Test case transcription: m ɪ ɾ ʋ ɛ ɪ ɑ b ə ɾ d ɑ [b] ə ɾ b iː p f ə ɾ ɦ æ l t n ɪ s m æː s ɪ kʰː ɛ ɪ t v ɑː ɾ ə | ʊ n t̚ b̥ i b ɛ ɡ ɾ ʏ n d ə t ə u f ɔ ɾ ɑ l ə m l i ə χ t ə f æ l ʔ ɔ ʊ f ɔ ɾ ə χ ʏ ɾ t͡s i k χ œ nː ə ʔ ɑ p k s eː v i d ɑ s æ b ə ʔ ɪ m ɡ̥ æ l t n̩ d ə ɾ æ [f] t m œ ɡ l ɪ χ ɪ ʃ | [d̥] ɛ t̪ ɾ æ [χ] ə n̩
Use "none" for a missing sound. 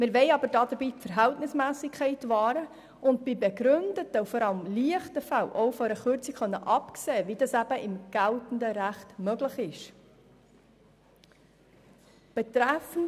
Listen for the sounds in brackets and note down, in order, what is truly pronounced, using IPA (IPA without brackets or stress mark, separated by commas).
d, χ, b̥, f